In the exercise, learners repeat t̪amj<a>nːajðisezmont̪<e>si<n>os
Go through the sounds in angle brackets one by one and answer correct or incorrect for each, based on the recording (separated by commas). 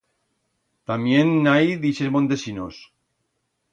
incorrect, correct, correct